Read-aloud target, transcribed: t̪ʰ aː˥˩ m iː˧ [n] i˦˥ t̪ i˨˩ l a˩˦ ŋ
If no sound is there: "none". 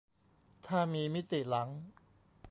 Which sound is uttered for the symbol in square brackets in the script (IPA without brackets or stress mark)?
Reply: m